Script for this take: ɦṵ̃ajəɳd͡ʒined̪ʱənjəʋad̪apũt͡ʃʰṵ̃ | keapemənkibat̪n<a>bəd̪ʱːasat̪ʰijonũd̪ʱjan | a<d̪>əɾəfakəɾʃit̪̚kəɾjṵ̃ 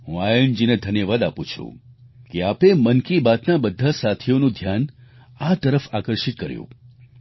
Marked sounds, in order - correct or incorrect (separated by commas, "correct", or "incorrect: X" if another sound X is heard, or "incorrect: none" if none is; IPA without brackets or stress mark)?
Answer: correct, incorrect: t̪